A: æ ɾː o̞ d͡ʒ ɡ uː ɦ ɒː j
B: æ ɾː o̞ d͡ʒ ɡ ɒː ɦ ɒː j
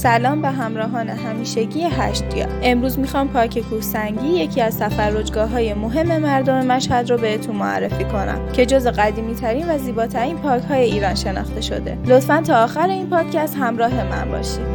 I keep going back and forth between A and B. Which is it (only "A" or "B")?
B